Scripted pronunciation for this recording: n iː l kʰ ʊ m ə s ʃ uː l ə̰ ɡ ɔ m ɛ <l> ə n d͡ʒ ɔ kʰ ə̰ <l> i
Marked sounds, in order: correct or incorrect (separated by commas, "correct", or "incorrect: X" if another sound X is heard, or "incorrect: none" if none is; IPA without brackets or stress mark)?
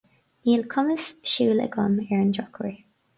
incorrect: ɹ, incorrect: ɹ